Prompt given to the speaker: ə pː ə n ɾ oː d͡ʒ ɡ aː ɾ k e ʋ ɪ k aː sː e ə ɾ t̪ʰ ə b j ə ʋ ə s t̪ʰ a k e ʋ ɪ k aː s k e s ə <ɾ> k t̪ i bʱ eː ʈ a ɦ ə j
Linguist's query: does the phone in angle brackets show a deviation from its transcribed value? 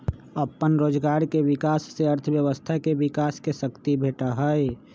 yes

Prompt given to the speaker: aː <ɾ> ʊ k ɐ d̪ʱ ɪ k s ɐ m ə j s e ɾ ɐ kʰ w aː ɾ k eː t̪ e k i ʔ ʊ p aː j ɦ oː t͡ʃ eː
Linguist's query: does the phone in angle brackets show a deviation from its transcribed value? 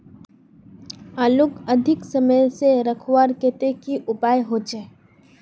yes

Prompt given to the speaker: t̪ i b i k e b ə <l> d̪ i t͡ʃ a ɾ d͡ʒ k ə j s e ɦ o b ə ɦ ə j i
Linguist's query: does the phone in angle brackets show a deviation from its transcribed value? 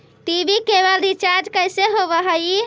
no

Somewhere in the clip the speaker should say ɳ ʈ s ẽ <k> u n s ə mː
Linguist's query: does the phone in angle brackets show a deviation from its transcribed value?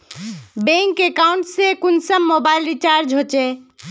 no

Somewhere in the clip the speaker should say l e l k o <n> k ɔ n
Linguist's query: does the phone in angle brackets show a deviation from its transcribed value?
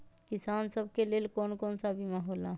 no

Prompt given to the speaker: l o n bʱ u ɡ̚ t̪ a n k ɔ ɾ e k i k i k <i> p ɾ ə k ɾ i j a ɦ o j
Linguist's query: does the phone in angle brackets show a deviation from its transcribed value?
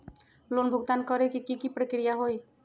no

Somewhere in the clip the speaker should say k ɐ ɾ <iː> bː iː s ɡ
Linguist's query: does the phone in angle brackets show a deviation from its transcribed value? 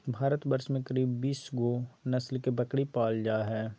no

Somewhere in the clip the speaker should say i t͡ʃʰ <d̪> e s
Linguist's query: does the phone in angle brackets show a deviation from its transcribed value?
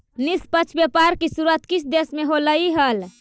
no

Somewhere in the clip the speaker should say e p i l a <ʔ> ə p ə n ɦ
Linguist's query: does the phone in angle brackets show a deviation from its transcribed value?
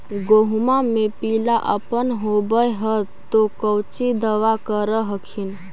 no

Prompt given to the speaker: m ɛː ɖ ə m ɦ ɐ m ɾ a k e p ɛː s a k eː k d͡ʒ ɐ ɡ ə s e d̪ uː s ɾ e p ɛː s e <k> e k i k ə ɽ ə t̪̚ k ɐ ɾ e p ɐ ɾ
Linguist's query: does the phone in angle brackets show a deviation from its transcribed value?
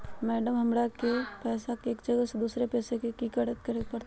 no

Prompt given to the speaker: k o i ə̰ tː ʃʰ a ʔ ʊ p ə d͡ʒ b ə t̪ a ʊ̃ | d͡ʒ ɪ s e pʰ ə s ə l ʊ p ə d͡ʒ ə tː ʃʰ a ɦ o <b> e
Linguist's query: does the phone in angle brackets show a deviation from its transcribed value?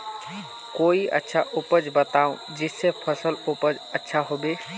no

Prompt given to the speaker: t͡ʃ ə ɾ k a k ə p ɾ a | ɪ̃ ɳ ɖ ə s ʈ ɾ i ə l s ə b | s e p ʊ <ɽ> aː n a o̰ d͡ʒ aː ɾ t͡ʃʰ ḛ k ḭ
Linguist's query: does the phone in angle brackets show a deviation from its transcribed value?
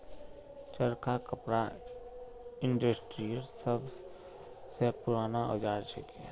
yes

